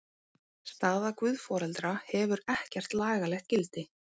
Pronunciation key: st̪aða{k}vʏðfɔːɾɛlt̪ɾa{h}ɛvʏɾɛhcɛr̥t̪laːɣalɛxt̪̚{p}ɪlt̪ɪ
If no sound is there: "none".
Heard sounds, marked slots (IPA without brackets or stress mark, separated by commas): k, h, c